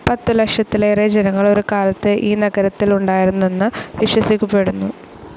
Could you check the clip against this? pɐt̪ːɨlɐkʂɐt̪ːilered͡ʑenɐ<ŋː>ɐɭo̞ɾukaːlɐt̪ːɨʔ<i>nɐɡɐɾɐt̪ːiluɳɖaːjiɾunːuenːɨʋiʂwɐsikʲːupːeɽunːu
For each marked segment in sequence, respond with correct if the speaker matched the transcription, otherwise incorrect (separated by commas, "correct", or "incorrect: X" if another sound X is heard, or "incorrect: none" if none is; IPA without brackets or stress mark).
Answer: correct, incorrect: iː